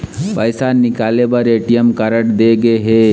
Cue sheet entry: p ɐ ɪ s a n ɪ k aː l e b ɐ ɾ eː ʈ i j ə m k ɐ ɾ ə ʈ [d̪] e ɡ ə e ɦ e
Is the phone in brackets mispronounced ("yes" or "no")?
no